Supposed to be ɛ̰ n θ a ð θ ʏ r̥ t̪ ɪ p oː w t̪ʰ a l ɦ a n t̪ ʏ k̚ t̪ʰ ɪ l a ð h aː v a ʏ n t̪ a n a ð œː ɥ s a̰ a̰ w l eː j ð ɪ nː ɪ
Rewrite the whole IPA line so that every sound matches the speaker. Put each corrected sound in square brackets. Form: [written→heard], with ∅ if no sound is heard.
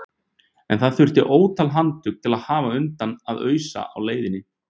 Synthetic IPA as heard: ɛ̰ n θ a ð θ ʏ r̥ t̪ ɪ [p→ʔ] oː w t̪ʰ a l ɦ a n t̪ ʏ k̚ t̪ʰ ɪ l a ð h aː v a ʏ n t̪ a n a ð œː ɥ s a̰ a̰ w l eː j ð ɪ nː ɪ